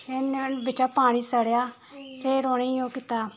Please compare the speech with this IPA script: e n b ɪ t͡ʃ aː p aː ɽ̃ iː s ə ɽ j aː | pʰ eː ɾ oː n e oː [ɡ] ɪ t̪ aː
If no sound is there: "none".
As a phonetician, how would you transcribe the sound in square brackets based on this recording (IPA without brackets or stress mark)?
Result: k